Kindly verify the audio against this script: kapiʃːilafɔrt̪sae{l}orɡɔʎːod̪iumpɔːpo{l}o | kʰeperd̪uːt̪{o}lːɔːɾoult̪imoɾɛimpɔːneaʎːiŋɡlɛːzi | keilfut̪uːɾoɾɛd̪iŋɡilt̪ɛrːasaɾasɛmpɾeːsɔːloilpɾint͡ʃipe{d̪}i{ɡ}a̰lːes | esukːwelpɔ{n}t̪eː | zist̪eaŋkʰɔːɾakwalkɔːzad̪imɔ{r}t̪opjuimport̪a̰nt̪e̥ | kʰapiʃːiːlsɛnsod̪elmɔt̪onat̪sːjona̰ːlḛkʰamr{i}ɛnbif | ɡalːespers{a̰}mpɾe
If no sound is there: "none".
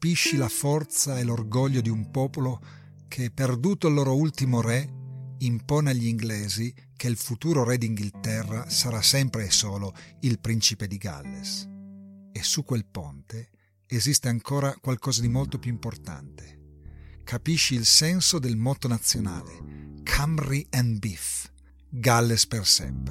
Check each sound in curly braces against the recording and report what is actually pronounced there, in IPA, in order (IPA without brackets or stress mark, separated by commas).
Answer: l, l, o, d̪, ɡ, n, l, i, ɛ̰